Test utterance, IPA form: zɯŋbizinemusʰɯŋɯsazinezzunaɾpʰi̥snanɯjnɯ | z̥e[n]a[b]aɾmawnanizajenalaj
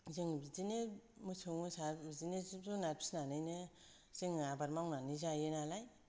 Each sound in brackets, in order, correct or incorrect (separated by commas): incorrect, correct